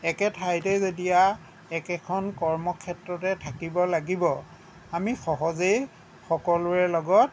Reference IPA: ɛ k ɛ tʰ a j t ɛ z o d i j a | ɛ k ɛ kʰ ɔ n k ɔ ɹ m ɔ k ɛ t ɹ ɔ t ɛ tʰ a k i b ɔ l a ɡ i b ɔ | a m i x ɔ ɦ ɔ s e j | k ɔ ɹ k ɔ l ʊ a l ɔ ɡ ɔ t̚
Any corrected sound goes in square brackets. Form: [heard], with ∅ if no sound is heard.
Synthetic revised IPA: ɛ k ɛ tʰ a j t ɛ z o d i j a | ɛ k ɛ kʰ ɔ n k ɔ ɹ m ɔ [kʰ] ɛ t ɹ ɔ t ɛ tʰ a k i b ɔ l a ɡ i b ɔ | a m i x ɔ ɦ ɔ [z] e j | [x] ɔ [∅] k ɔ l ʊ [ɛ] l ɔ ɡ ɔ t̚